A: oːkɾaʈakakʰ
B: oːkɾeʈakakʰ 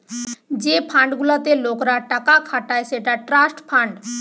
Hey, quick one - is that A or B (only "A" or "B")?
A